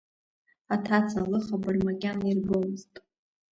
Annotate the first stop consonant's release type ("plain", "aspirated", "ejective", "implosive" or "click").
aspirated